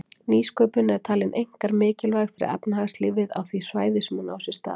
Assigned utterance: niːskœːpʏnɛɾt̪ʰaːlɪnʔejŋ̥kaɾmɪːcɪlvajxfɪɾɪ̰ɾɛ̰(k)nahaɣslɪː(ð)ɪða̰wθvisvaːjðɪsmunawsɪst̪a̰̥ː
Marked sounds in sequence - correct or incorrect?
incorrect: p, incorrect: v

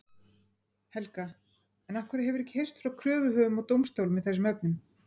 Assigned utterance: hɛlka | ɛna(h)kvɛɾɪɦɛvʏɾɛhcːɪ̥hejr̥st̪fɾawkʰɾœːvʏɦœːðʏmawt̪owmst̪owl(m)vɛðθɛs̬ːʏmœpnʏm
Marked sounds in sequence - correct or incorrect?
correct, correct

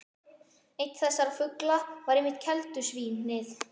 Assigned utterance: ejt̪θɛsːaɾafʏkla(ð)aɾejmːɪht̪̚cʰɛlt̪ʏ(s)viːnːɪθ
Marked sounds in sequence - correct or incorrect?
incorrect: v, correct

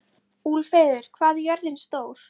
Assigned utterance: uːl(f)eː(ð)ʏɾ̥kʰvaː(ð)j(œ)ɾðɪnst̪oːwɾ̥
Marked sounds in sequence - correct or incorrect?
correct, correct, correct, correct

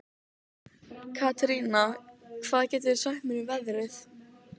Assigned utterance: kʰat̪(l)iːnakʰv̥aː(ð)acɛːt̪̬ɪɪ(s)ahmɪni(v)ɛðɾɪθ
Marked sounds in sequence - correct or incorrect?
incorrect: ɾ, correct, correct, correct

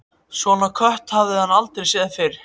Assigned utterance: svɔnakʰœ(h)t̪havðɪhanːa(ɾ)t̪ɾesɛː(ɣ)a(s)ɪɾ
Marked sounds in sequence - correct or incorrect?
correct, incorrect: l, incorrect: ð, incorrect: f

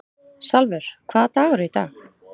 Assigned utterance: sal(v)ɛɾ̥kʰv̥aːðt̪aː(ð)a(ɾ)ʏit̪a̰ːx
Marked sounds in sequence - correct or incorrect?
correct, incorrect: ɣ, correct

